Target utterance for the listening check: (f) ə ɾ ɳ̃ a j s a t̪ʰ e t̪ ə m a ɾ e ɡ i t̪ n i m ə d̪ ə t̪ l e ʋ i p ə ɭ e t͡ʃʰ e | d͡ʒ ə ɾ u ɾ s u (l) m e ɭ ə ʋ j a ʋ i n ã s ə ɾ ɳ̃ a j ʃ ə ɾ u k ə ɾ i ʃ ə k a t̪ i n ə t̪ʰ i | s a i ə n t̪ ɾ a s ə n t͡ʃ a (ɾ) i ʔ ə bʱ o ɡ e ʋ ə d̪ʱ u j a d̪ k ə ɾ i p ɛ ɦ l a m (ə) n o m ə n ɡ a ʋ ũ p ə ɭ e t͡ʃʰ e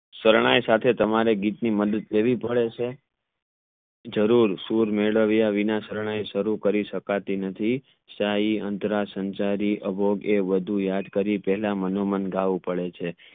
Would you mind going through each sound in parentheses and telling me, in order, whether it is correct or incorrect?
incorrect: s, incorrect: ɾ, correct, correct

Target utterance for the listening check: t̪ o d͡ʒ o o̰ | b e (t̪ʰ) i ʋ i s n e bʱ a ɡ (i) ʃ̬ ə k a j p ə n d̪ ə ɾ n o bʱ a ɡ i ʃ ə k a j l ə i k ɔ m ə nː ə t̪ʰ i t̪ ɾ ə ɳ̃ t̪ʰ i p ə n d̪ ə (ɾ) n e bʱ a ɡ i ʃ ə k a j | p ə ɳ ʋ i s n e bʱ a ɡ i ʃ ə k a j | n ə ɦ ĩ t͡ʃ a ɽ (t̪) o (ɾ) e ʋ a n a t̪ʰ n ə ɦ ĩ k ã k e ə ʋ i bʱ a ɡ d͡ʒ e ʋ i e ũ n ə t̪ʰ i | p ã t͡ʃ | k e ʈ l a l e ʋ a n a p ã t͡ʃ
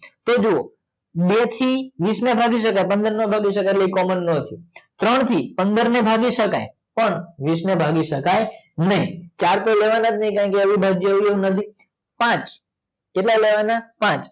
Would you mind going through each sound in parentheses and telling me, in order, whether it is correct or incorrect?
correct, correct, correct, correct, incorrect: l

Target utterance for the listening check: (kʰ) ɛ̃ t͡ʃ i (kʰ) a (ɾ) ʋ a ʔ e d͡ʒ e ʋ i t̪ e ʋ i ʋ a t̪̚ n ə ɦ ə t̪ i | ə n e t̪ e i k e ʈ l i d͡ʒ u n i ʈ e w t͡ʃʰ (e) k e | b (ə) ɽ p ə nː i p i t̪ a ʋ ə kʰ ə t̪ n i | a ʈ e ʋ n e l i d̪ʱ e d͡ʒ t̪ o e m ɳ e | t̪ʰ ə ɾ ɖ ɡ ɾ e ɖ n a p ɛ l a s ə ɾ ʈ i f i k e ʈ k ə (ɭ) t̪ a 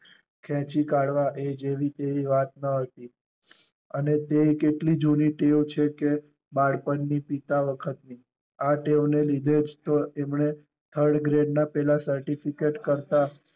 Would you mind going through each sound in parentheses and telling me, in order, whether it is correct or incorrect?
correct, incorrect: k, incorrect: ɽ, correct, incorrect: a, incorrect: ɾ

